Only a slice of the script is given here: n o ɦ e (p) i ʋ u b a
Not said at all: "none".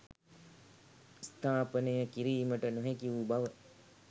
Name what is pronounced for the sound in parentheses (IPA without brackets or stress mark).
k